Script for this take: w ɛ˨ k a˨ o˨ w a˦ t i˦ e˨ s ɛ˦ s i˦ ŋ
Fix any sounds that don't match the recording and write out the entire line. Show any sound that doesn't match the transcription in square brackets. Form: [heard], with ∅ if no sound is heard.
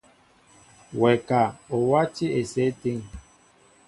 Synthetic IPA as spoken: w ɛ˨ k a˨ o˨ w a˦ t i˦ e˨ s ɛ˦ [t] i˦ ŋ